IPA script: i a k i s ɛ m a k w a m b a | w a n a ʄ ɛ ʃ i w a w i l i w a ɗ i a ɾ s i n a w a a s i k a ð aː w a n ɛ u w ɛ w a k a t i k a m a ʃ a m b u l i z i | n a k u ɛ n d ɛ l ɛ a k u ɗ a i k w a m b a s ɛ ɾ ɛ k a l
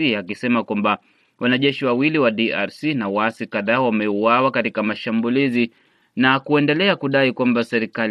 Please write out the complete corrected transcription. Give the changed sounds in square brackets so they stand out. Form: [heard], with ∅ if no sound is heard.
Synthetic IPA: i a k i s ɛ m a k w a m b a | w a n a ʄ ɛ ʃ i w a w i l i w a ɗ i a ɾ s i n a w a a s i k a ð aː w a [m] ɛ u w [a] w a k a t i k a m a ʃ a m b u l i z i | n a k u ɛ n d ɛ l ɛ a k u ɗ a i k w a m b a s ɛ ɾ [i] k a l